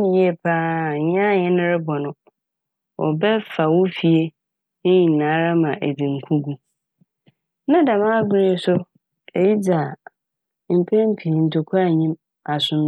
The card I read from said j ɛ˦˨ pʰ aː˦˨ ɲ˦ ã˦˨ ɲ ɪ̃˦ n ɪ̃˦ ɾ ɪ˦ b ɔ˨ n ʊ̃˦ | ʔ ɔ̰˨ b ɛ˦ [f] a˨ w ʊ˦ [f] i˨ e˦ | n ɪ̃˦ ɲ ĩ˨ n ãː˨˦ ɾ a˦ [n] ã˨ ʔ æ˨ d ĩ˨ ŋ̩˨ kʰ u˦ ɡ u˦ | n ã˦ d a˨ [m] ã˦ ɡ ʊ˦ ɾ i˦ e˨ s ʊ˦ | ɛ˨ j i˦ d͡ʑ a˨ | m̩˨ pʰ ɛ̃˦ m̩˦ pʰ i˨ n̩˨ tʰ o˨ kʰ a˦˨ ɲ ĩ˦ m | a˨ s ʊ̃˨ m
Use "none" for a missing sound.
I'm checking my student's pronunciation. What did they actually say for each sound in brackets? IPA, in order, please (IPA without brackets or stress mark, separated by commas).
f, f, m, m